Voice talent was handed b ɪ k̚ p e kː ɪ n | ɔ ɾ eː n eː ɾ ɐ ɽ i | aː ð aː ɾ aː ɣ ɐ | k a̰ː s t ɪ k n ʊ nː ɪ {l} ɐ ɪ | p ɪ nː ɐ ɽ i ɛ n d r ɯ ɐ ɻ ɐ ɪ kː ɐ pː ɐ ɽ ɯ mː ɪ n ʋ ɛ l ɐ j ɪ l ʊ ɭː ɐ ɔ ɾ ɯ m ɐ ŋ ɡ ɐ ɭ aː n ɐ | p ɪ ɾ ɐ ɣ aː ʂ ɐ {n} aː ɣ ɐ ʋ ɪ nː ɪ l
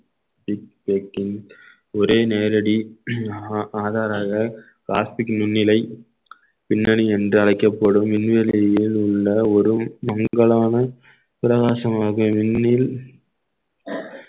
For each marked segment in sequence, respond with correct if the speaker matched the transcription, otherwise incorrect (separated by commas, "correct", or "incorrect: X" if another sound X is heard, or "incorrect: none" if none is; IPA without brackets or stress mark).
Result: correct, incorrect: m